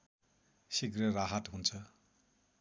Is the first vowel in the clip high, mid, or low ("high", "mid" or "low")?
high